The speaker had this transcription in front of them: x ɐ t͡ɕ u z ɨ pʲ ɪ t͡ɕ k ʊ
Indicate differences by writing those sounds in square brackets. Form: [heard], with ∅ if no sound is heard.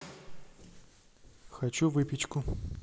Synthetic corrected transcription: x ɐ t͡ɕ u [v] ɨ pʲ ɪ t͡ɕ k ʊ